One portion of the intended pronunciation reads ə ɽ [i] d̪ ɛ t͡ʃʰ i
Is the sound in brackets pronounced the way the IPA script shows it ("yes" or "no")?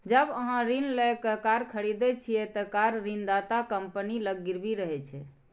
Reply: yes